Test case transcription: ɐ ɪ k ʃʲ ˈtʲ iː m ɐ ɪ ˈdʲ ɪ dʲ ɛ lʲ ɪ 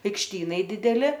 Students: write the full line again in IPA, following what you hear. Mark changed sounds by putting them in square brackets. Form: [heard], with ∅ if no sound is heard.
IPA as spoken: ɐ ɪ k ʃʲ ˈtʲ iː [n] ɐ ɪ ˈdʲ ɪ dʲ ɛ lʲ ɪ